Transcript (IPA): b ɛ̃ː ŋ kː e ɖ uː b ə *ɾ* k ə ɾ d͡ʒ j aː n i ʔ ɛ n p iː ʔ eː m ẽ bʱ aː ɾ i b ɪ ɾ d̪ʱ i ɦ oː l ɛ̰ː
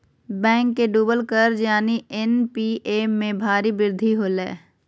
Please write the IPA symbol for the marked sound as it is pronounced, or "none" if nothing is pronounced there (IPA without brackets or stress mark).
l